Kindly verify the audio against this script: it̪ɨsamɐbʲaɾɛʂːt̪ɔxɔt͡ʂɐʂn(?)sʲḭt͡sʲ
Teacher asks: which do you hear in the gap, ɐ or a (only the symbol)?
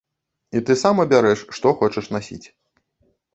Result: a